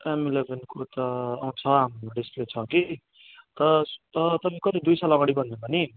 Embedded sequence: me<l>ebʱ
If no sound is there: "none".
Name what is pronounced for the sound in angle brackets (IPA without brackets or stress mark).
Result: l